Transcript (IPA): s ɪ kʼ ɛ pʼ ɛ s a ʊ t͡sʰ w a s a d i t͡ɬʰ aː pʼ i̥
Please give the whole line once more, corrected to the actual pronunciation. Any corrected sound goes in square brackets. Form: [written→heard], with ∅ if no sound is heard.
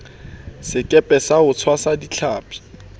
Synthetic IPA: s ɪ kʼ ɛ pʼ ɛ s a ʊ t͡sʰ w a s a d i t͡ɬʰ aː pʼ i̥